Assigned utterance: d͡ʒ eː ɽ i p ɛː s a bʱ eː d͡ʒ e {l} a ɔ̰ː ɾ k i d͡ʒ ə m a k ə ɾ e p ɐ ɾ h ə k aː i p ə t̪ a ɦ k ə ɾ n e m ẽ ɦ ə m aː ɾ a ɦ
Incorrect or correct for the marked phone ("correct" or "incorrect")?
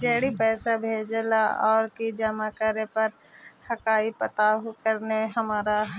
correct